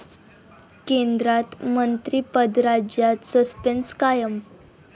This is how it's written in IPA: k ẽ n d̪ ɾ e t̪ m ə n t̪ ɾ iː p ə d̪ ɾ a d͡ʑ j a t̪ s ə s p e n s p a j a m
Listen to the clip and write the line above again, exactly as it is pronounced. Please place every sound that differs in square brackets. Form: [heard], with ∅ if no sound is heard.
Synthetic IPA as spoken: k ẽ n d̪ ɾ [a] t̪ m ə n t̪ ɾ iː p ə d̪ ɾ a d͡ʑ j a t̪ s ə s p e n s [k] a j [ə] m